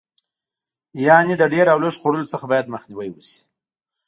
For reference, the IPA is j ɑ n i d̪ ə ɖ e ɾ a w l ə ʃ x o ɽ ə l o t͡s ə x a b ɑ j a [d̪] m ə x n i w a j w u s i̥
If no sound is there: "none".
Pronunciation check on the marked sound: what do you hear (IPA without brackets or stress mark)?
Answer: d̪